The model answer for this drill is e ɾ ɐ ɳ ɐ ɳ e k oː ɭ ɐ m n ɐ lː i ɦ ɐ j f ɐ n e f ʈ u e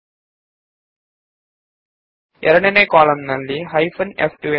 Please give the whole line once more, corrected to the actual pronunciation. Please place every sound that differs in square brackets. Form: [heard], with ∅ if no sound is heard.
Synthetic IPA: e ɾ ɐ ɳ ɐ [n] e k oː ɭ ɐ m n ɐ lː i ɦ ɐ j f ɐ n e f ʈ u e